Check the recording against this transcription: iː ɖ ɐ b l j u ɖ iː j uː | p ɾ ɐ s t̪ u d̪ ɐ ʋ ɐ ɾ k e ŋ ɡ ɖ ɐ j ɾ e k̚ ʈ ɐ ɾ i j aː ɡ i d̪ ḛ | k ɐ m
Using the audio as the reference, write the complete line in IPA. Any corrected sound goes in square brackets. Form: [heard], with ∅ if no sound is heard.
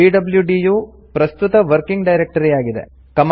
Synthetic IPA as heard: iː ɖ ɐ b l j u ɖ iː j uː | p ɾ ɐ s t̪ u [t̪] ɐ ʋ ɐ ɾ k [i] ŋ ɡ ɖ ɐ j ɾ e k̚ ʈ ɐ ɾ i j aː ɡ i d̪ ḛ | k ɐ m